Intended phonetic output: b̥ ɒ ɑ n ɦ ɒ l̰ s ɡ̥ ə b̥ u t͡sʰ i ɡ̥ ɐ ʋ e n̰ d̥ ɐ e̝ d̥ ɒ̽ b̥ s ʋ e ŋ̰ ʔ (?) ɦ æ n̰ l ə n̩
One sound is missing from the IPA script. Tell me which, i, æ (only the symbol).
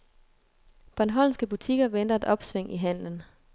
i